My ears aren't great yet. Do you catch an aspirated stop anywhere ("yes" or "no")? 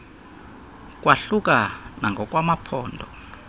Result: yes